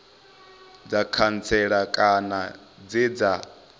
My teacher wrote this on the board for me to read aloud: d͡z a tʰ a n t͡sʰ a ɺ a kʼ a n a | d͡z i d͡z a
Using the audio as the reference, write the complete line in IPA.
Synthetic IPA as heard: d͡z a kʰ a n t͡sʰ ɛ ɺ a kʼ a n a | d͡z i d͡z a